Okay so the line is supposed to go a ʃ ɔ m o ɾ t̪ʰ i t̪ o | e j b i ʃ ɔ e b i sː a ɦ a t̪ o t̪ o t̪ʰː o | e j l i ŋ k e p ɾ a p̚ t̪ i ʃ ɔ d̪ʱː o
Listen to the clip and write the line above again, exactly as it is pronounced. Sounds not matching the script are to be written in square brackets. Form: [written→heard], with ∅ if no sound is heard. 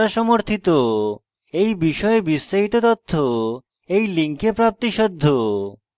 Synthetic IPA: a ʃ ɔ m o ɾ t̪ʰ i t̪ o | e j b i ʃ ɔ e b i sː a ɦ [a→i] t̪ o t̪ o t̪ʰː o | e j l i ŋ k e p ɾ a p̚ t̪ i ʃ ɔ d̪ʱː o